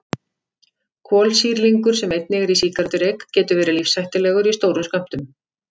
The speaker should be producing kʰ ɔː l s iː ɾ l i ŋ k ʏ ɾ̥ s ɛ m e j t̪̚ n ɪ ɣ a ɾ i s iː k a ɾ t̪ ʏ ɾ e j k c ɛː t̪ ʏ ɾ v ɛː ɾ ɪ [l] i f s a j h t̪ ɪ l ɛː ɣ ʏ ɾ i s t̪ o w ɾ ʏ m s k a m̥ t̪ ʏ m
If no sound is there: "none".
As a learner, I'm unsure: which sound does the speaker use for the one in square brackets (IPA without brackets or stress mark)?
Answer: l